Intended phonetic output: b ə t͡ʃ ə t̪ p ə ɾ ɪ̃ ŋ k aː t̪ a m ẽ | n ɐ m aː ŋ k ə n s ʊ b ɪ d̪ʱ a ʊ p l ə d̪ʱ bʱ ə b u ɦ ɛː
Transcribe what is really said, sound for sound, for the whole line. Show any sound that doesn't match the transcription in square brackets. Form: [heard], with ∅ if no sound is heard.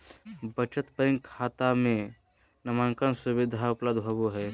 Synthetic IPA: b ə t͡ʃ ə t̪ p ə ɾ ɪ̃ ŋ [kʰ] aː t̪ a m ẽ | n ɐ m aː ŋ k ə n s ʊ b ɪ d̪ʱ a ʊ p l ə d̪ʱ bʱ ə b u ɦ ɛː